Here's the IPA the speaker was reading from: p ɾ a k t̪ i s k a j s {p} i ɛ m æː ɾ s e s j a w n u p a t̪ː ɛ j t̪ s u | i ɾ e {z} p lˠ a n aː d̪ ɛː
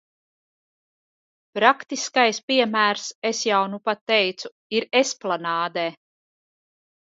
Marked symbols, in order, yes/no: yes, no

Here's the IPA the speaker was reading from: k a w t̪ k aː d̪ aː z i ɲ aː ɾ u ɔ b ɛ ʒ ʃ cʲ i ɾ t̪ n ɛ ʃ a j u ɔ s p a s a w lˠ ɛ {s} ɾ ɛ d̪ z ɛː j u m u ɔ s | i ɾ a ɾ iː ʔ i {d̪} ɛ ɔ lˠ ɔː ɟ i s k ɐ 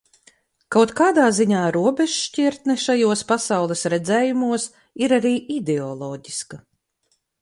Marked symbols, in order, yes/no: yes, yes

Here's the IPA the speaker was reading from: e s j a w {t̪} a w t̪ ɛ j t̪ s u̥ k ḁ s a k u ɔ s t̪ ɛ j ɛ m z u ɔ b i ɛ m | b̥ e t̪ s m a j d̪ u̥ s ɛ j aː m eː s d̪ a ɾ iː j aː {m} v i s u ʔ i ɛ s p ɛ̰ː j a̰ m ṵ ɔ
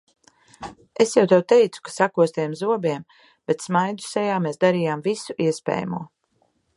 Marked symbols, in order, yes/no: yes, yes

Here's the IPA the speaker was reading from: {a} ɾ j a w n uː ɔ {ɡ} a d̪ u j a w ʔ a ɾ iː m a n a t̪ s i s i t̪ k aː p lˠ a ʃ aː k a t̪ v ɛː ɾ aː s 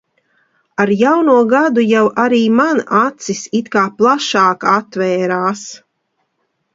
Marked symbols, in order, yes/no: yes, yes

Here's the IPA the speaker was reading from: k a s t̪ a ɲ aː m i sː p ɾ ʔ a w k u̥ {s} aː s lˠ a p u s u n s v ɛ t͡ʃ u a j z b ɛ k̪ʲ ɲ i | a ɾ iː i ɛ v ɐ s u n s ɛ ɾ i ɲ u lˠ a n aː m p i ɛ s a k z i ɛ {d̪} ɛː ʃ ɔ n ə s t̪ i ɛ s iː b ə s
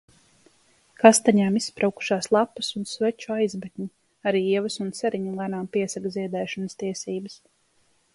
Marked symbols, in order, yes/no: no, yes

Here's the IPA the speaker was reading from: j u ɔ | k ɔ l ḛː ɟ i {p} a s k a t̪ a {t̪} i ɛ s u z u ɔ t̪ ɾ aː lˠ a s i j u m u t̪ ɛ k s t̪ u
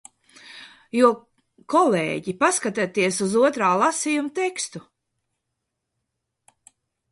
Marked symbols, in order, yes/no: yes, yes

